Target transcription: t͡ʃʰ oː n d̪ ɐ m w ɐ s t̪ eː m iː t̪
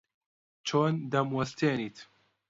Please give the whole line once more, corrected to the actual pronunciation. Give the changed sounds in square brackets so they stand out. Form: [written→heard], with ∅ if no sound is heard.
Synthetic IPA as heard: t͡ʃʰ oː n d̪ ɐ m w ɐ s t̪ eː [m→n] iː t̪